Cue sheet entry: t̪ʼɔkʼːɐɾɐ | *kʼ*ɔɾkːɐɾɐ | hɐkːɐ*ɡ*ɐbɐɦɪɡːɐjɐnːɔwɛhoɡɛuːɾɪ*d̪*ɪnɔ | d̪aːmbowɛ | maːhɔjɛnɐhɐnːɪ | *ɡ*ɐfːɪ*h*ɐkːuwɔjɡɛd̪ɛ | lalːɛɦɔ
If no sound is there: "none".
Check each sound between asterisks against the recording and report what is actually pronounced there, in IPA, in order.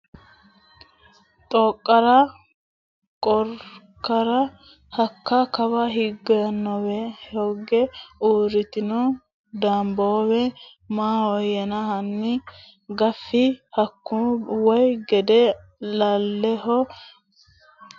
kʼ, k, t̪, ɡ, h

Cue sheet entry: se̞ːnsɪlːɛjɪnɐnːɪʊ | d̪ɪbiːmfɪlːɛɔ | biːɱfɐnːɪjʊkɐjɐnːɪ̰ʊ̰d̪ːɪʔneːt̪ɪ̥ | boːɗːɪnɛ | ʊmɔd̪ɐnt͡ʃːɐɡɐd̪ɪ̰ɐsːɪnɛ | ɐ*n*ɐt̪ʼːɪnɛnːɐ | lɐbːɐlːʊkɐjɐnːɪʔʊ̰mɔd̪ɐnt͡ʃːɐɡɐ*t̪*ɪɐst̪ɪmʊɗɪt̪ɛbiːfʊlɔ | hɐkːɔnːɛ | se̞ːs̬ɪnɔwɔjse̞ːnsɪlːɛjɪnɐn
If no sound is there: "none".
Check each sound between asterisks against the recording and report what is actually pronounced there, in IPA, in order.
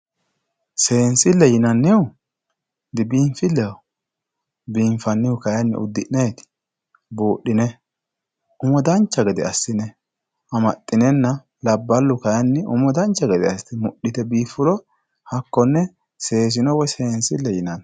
m, d̪

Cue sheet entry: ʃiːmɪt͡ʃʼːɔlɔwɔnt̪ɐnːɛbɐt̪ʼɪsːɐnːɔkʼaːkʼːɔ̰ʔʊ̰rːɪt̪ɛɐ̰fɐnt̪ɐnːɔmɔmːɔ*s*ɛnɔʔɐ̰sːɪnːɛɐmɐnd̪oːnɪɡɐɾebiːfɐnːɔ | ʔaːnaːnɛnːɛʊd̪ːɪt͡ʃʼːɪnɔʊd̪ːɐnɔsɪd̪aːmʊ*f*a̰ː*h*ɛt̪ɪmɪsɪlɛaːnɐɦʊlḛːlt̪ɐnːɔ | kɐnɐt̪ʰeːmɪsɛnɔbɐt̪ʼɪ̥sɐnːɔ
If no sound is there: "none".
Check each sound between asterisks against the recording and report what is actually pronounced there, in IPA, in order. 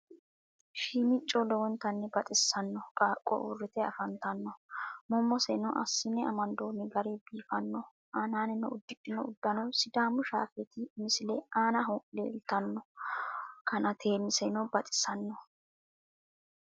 s, ʃ, f

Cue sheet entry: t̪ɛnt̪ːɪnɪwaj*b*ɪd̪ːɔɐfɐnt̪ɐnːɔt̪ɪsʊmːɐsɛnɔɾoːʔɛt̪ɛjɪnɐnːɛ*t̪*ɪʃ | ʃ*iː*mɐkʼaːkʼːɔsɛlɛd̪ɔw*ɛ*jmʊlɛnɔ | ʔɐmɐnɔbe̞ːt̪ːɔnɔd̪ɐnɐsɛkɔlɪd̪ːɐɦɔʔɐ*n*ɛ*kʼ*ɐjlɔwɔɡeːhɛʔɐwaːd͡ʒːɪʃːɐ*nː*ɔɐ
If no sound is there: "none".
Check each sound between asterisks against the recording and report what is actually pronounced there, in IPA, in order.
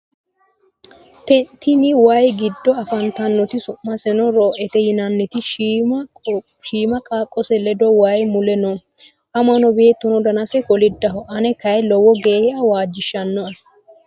ɡ, t̪, iː, a, n, k, nː

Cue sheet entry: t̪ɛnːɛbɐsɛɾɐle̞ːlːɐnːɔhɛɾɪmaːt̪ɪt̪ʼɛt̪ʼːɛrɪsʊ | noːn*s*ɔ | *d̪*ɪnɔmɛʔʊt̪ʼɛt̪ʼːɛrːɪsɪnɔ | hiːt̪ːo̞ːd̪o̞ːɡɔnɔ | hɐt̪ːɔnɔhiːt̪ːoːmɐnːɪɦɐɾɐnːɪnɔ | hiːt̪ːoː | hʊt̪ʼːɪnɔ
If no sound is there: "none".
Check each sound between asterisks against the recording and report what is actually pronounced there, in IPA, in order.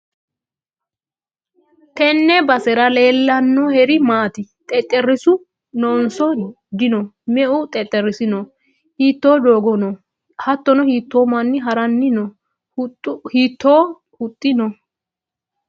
s, d̪

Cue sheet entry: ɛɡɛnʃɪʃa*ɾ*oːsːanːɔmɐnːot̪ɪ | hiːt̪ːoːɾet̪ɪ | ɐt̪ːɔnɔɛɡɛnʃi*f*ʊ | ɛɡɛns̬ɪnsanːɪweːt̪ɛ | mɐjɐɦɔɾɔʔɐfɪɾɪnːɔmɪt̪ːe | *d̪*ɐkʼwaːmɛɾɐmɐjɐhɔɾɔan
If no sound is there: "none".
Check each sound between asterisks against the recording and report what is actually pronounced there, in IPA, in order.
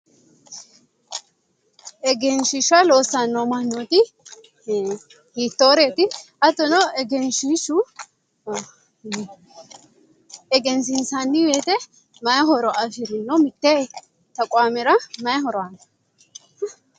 l, ʃ, t̪

